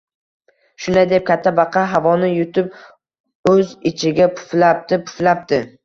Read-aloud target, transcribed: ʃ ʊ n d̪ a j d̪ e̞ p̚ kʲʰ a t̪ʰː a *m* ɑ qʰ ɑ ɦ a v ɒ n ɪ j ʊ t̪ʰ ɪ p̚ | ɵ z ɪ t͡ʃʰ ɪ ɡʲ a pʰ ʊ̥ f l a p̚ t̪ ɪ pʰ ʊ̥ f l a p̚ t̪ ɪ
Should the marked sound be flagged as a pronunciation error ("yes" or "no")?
yes